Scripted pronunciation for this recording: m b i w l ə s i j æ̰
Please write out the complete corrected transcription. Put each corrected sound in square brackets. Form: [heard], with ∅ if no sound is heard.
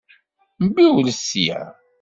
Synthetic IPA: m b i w l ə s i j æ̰

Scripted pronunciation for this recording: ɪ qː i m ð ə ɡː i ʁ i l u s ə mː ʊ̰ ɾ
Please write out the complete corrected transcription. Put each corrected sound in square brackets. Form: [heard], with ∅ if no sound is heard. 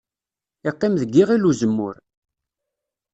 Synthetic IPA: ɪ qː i m ð ə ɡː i ʁ i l u [z] ə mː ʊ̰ ɾ

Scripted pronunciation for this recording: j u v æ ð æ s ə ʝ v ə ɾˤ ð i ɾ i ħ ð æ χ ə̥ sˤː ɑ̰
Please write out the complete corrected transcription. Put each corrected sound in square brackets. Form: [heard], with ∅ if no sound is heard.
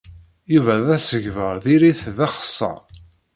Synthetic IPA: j u v æ ð æ s ə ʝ v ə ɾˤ ð i ɾ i [θ] ð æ χ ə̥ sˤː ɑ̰

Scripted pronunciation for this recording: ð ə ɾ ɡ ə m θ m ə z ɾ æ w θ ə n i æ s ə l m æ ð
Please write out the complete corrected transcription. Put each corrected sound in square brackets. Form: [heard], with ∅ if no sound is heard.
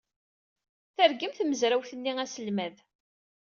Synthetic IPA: [θ] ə ɾ ɡ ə m θ m ə z ɾ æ w θ ə [nː] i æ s ə l m æ ð

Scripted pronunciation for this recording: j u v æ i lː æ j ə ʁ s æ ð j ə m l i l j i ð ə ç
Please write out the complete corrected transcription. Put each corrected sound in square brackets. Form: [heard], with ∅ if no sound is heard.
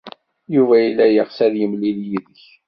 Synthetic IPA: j u v æ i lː æ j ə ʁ s æ ð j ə m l i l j i ð ə ç

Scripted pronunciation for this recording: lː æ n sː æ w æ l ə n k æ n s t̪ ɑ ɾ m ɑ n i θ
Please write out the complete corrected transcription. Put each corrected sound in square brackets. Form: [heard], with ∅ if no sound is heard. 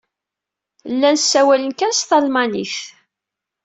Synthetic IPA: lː æ n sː æ w æ l ə n k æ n s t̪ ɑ [l] m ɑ n i θ

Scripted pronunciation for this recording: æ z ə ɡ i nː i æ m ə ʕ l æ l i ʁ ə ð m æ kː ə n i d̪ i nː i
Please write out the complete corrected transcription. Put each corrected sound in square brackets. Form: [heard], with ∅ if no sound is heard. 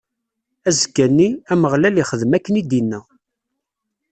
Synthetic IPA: æ z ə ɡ [æ] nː i æ m ə [ʁ] l æ l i [χ] ə ð m æ kː ə n i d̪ i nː [æ]

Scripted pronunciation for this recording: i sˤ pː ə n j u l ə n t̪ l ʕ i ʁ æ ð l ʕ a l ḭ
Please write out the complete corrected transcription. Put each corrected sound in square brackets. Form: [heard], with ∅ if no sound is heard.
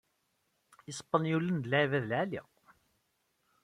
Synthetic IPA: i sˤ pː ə n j u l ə n [d̪] l ʕ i [v] æ ð l ʕ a l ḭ

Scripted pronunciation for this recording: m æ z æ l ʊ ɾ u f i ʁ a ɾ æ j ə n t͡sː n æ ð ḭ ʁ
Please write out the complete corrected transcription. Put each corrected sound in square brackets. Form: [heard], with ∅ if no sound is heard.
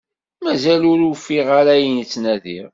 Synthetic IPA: m æ z æ l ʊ ɾ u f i ʁ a ɾ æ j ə n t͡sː n æ ð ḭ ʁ

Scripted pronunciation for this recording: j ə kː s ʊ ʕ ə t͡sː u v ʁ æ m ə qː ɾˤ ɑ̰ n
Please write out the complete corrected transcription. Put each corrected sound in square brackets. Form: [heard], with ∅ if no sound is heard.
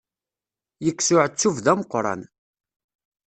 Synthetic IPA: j ə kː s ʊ ʕ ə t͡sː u v [ð] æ m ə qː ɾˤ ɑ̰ n

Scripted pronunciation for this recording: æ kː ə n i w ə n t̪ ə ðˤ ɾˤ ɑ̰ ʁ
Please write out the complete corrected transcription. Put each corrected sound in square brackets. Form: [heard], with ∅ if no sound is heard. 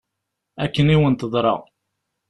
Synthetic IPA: æ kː ə n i w ə n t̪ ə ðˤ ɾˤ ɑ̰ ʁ

